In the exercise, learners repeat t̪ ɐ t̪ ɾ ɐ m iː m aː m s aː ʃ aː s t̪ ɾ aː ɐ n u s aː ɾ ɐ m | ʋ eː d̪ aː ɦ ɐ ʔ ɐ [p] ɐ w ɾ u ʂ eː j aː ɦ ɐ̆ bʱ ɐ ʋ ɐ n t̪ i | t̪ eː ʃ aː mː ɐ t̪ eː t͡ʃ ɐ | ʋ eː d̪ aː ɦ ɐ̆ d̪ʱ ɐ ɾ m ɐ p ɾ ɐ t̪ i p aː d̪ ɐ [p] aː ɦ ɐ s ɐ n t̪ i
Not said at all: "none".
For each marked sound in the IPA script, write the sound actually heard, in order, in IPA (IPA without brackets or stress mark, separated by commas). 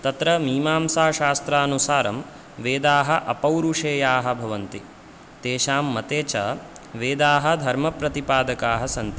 p, k